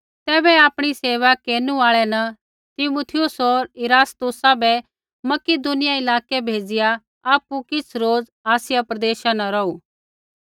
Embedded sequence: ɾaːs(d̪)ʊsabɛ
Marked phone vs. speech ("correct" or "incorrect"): incorrect